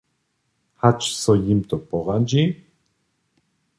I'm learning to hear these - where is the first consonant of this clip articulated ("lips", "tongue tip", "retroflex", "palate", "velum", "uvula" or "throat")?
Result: throat